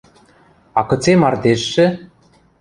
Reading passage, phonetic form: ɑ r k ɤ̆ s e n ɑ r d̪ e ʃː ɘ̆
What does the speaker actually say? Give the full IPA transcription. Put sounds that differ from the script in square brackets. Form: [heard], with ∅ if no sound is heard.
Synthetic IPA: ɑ [∅] k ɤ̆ [t͡s] e [m] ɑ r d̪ e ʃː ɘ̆